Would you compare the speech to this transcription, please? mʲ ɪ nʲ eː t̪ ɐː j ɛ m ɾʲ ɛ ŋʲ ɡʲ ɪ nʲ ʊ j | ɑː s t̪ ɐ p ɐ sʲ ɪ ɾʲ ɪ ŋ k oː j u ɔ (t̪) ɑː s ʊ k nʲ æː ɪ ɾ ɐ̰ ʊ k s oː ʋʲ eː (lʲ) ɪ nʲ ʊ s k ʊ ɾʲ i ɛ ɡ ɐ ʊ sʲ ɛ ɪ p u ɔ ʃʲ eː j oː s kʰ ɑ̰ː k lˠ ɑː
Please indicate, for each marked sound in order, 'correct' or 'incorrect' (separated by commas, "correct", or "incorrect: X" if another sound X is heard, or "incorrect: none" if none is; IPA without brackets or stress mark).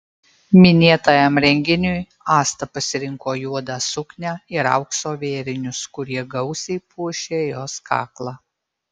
incorrect: d̪, incorrect: ɾʲ